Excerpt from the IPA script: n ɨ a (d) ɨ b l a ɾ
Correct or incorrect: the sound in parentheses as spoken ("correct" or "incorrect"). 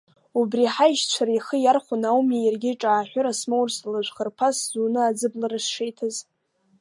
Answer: incorrect